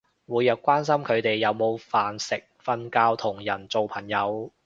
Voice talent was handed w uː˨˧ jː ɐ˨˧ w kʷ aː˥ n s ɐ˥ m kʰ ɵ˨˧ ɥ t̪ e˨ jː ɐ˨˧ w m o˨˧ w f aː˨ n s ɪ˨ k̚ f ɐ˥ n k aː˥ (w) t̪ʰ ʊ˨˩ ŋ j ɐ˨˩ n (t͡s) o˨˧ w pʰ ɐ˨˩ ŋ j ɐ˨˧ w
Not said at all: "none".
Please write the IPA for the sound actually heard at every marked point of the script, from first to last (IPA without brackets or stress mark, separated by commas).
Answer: w, t͡s